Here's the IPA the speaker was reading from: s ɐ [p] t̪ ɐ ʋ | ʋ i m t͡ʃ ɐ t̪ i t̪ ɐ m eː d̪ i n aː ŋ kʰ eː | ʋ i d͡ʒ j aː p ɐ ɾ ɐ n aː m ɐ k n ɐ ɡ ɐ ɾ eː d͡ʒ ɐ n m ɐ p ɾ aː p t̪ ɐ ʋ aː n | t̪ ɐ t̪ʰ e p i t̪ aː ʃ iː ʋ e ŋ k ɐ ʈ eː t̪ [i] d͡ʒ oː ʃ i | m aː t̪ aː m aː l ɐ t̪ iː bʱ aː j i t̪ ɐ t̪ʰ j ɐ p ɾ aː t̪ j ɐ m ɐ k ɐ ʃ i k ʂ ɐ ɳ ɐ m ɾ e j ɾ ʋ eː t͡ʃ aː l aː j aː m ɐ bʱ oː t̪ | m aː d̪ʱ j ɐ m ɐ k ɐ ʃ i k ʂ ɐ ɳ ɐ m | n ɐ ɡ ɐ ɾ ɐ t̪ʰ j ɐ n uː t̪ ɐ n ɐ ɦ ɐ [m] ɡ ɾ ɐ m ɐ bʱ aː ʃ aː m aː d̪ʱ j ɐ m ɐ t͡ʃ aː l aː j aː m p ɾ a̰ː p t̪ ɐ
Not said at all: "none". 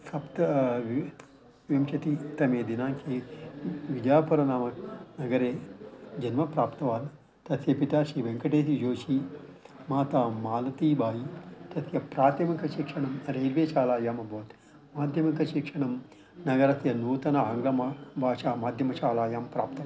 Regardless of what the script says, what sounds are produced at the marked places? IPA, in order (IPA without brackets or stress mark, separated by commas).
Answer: p, i, ŋ